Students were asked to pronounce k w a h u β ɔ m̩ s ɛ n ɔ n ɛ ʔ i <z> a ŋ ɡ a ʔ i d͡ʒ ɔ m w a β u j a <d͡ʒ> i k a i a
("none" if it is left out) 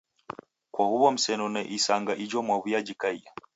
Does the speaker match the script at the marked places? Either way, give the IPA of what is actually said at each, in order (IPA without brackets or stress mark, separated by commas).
s, d͡ʒ